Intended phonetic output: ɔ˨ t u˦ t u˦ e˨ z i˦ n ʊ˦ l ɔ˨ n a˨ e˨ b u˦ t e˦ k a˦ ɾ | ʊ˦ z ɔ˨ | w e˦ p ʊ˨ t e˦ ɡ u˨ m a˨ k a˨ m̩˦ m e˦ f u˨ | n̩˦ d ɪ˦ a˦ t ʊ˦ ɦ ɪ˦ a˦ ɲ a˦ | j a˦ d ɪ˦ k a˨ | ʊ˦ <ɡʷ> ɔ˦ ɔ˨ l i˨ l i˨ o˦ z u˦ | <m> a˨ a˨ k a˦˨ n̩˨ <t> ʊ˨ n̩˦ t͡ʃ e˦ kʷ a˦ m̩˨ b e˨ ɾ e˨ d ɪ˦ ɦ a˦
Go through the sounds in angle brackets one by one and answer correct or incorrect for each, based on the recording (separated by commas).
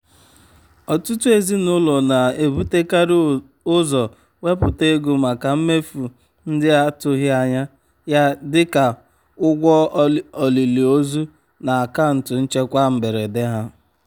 correct, incorrect, correct